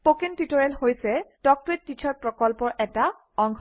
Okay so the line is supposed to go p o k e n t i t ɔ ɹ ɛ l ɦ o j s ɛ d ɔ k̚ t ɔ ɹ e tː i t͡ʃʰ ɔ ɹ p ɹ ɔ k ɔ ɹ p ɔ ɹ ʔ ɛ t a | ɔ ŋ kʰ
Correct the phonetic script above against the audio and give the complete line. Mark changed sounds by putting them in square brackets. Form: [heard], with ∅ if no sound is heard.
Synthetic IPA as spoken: p o k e n t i t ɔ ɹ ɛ l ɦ o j s ɛ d ɔ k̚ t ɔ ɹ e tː i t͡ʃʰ ɔ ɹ p ɹ ɔ k ɔ [l] p ɔ ɹ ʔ ɛ t a | ɔ ŋ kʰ